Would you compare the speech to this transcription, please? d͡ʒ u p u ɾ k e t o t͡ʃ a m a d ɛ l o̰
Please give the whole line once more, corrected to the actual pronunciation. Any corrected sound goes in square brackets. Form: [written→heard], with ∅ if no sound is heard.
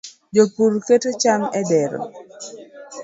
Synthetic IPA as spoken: d͡ʒ [u→o] p u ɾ k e t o t͡ʃ a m [a→ɛ] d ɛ [l→ɾ] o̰